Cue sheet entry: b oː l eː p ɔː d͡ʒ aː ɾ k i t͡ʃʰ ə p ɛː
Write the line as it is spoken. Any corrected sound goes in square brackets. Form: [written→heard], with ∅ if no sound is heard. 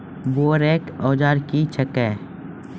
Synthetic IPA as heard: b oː [l→ɾ] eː [p→k] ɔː d͡ʒ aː ɾ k i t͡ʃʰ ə [p→k] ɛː